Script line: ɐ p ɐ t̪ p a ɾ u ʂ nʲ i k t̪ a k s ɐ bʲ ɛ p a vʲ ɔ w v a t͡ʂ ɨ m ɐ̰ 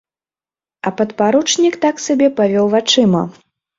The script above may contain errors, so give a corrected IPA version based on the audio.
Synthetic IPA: ɐ p ɐ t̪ p a ɾ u t͡ʂ nʲ i k t̪ a k s a bʲ ɛ p a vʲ ɔ w v a t͡ʂ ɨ m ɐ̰